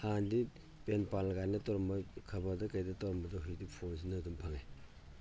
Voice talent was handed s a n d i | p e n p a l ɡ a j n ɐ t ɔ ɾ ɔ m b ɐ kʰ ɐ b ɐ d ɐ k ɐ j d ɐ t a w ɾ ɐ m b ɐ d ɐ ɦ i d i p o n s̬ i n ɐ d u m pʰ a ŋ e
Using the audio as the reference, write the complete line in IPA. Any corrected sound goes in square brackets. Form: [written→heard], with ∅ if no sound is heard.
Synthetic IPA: [s→h] a n d i | p e n p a l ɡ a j n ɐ t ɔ ɾ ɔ m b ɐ kʰ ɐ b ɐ d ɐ k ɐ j d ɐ t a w ɾ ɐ m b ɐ d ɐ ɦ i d i [p→pʰ] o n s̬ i n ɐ d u m pʰ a ŋ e